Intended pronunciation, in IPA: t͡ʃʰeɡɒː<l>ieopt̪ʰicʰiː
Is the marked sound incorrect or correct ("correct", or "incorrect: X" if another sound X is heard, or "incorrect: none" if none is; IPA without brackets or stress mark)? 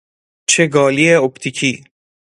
correct